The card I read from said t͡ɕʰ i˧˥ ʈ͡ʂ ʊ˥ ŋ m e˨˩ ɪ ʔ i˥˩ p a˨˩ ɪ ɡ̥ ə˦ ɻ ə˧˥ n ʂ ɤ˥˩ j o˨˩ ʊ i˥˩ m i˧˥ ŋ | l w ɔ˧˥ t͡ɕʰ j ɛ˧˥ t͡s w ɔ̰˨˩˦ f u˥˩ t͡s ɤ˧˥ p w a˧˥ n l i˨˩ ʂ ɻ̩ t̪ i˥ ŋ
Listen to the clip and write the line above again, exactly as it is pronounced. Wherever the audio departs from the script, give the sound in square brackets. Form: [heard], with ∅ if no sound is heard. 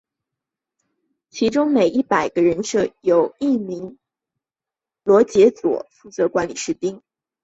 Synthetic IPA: t͡ɕʰ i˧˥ ʈ͡ʂ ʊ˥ ŋ m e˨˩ ɪ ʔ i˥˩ p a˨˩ ɪ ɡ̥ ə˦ ɻ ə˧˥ n ʂ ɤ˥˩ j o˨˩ ʊ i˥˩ m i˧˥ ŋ | l w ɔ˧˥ [t͡ɕ] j ɛ˧˥ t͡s w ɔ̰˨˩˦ f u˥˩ t͡s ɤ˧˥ [k] w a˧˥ n l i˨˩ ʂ ɻ̩ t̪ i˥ ŋ